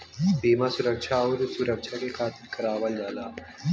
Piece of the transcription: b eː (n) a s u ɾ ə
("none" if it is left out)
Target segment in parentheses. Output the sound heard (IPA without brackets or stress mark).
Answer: m